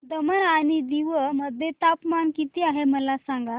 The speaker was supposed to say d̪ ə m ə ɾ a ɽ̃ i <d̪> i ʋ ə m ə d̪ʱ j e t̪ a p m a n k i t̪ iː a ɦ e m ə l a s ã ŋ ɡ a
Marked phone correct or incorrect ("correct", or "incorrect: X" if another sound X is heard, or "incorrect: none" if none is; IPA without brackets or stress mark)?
correct